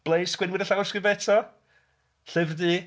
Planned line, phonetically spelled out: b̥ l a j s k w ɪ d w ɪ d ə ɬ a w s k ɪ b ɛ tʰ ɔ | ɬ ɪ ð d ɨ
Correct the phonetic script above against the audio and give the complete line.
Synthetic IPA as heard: b̥ l e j s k w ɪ n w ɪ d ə ɬ a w s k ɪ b ɛ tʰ ɔ | ɬ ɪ v d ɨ